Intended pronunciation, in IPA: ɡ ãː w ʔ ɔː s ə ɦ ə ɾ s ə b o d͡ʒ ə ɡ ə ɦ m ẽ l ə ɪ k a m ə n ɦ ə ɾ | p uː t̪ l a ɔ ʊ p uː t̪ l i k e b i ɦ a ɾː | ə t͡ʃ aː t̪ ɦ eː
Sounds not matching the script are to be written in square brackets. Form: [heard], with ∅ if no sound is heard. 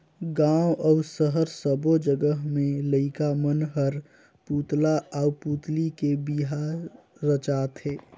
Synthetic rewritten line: ɡ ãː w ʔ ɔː s ə ɦ ə ɾ s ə b o d͡ʒ ə ɡ ə ɦ m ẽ l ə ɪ k a m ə n ɦ ə ɾ | p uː t̪ l a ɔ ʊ p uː t̪ l i k e b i ɦ a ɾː | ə t͡ʃ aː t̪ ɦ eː